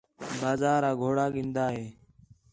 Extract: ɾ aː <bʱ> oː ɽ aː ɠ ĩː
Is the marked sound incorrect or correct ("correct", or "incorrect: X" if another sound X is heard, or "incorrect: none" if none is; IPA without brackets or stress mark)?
incorrect: ɡʱ